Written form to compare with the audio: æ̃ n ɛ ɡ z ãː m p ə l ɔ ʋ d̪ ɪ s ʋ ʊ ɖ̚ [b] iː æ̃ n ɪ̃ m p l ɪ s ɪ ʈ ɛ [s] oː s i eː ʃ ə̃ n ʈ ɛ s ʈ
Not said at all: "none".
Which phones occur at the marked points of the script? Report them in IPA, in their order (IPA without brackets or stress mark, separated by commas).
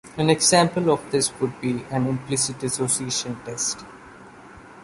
b, s